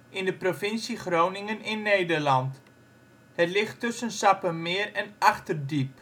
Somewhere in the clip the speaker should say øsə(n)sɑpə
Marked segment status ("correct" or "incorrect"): correct